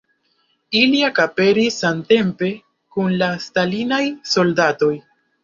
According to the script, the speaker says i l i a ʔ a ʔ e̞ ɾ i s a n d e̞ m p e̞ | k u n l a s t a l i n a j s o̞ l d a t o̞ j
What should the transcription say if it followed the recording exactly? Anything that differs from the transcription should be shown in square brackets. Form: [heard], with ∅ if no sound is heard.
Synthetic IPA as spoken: i l i a [k] a [p] e̞ ɾ i s a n [t] e̞ m p e̞ | k u n l a s t a l i n a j s o̞ l d a t o̞ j